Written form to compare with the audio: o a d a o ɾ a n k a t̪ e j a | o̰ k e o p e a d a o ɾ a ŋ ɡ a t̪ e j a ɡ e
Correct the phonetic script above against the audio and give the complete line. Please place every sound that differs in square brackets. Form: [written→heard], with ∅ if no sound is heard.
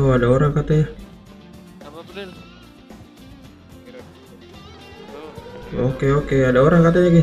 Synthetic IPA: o a d a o ɾ a [n→ŋ] k a t̪ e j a | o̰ k e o [p→k] e a d a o ɾ a ŋ [ɡ→k] a t̪ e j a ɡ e